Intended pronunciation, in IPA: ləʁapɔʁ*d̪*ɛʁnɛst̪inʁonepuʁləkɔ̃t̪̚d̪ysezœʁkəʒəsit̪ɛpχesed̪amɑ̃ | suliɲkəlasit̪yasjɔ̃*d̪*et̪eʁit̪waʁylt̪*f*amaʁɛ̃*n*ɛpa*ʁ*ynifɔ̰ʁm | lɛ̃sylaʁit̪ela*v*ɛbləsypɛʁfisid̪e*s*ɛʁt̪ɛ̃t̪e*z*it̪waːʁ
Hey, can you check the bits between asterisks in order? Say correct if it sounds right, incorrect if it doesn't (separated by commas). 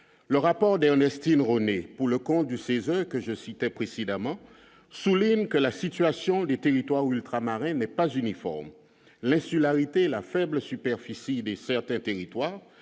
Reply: correct, correct, incorrect, correct, incorrect, incorrect, correct, incorrect